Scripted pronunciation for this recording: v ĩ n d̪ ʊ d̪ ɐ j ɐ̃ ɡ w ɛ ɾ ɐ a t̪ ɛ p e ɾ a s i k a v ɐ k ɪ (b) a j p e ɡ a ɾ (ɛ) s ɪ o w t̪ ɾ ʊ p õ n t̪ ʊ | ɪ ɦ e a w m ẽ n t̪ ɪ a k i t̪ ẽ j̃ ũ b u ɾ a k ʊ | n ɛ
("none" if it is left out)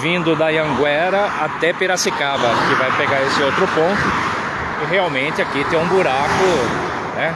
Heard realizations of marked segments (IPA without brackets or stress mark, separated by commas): v, e